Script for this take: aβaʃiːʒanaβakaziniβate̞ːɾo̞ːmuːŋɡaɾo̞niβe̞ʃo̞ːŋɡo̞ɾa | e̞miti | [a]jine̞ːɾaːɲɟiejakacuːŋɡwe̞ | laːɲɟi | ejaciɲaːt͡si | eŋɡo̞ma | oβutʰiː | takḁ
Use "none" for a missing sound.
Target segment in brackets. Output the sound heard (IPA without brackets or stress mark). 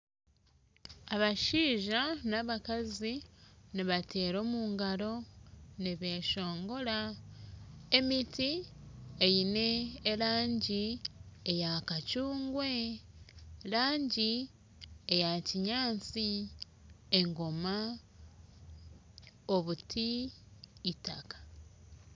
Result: e